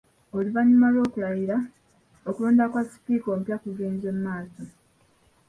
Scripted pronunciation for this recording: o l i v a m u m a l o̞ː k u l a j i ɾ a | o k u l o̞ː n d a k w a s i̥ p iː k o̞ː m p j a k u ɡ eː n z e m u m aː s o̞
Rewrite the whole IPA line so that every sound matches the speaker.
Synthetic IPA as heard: o l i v a ɲ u m a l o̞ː k u l a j i ɾ a | o k u l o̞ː n d a k w a s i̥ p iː k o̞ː m p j a k u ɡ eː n z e m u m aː s o̞